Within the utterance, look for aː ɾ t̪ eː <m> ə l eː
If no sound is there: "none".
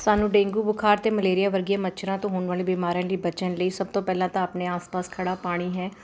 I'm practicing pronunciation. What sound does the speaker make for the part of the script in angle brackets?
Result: m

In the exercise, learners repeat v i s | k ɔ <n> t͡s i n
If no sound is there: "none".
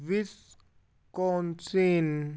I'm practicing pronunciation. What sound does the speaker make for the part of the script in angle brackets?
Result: n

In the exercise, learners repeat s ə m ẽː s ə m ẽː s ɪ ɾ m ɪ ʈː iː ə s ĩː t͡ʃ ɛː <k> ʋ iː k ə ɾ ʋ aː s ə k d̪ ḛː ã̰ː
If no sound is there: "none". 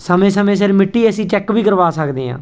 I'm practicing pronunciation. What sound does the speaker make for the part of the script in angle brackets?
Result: k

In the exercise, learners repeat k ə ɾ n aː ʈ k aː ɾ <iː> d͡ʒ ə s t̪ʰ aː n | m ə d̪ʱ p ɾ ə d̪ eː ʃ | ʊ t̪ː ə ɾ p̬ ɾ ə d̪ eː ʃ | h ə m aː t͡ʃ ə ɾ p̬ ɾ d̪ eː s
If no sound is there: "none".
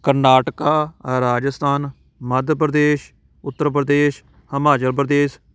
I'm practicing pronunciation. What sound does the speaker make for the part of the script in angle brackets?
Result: aː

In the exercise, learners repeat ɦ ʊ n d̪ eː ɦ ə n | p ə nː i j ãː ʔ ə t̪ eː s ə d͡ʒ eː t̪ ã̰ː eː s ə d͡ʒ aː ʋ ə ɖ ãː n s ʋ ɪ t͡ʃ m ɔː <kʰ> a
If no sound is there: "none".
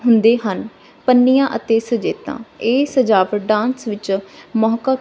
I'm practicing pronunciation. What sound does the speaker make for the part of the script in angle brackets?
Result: k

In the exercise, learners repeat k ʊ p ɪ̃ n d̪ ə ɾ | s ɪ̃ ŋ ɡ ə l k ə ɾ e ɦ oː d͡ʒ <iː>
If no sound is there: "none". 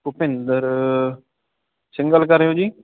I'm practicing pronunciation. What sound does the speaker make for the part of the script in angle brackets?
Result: iː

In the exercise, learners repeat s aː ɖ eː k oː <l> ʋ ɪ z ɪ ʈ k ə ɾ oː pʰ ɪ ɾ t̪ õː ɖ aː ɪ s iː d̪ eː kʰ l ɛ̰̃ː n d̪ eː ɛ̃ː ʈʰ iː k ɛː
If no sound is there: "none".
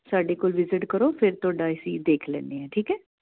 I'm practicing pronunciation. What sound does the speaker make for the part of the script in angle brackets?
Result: l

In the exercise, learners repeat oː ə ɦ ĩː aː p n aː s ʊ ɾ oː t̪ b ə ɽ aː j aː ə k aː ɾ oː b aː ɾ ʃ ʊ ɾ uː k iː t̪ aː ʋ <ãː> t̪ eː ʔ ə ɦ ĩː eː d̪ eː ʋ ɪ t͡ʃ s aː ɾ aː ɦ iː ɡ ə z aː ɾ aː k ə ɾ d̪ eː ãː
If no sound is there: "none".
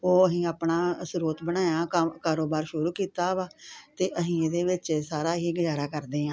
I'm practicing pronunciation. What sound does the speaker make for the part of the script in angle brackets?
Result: aː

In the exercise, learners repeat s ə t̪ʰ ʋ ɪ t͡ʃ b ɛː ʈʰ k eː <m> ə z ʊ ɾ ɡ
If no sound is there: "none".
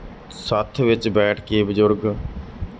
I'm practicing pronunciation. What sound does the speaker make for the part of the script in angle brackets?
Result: b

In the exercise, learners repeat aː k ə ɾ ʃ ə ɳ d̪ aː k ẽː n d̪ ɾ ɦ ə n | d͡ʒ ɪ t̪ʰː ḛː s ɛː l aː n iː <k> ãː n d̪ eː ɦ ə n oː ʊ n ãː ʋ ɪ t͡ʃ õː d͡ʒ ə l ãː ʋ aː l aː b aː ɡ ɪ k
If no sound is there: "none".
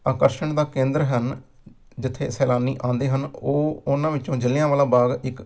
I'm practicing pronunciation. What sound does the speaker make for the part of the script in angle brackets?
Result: ʔ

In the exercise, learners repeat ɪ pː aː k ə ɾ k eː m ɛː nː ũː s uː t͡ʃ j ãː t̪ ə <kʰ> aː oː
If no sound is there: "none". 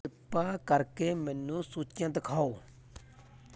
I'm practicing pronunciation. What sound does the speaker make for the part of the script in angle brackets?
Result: kʰ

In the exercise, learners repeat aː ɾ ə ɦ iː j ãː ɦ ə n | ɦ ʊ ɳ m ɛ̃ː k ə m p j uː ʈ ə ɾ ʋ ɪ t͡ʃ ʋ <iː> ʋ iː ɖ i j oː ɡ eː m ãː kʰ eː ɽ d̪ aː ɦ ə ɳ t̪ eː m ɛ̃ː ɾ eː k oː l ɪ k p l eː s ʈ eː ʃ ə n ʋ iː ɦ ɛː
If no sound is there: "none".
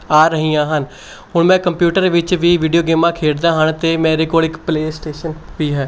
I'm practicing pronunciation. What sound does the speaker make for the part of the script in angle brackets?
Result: iː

